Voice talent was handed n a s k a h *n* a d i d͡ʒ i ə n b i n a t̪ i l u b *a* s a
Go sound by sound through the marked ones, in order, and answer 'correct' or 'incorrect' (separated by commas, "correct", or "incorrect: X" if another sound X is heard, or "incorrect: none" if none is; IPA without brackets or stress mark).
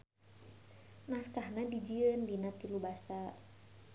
correct, correct